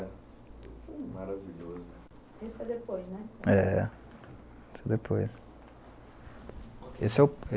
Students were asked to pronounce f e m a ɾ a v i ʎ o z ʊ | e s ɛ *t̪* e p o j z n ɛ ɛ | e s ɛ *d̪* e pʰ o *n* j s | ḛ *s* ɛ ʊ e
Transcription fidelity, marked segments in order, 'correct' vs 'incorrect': incorrect, correct, incorrect, correct

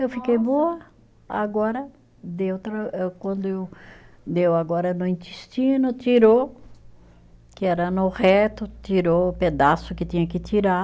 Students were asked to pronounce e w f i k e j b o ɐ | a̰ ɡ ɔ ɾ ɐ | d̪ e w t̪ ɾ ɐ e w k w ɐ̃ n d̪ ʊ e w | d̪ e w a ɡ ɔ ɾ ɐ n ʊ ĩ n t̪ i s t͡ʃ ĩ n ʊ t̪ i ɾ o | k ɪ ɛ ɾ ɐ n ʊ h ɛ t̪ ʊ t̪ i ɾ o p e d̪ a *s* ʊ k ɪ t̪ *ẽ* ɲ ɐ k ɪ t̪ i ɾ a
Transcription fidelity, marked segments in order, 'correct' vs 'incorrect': correct, incorrect

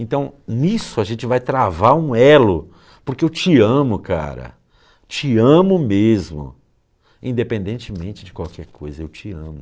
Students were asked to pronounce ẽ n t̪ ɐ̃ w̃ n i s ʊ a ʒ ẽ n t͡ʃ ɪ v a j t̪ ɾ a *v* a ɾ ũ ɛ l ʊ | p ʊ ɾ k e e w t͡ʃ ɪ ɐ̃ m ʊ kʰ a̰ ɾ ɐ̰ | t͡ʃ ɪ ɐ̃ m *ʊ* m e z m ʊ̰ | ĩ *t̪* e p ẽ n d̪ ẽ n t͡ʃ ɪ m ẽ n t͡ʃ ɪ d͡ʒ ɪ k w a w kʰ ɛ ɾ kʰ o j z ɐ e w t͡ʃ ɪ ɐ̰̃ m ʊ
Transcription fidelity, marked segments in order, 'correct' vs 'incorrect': correct, correct, incorrect

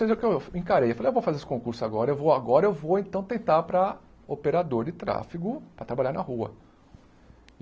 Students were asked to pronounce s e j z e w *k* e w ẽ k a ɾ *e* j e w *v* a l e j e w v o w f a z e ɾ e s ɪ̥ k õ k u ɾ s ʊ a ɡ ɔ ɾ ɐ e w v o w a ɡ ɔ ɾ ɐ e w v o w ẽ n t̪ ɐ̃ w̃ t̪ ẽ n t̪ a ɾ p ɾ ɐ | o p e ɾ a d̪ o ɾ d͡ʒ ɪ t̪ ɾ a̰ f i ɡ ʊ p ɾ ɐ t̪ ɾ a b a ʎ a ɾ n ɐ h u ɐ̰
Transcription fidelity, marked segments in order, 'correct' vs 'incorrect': correct, correct, incorrect

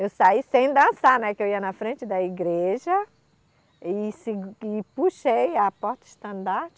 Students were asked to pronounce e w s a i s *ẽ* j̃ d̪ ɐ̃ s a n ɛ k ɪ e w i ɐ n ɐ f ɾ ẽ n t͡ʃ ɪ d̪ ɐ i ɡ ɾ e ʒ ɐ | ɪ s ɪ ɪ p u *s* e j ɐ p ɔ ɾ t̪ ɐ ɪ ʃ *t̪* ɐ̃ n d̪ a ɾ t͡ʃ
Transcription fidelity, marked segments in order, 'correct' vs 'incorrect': correct, incorrect, correct

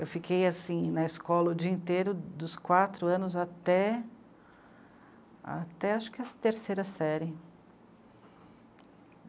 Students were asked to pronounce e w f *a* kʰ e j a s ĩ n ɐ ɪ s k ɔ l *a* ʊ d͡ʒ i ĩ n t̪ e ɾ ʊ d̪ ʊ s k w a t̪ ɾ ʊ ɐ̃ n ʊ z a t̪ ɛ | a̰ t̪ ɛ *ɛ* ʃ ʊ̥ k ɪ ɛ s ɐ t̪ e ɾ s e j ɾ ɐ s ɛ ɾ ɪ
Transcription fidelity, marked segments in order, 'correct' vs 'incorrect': incorrect, incorrect, incorrect

